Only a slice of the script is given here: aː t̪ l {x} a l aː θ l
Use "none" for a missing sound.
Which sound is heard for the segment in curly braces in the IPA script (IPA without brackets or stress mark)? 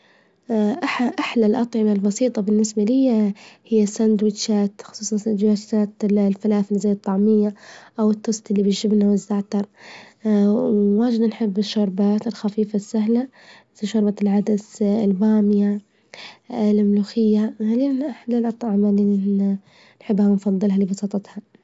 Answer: f